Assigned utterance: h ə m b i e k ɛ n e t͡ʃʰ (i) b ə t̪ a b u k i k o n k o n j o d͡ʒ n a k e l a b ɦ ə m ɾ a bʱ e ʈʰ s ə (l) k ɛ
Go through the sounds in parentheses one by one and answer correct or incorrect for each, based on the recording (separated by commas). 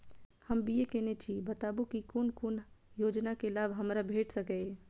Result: correct, incorrect